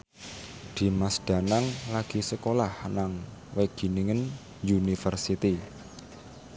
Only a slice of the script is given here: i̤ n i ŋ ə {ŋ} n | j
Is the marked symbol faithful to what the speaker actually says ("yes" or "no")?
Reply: no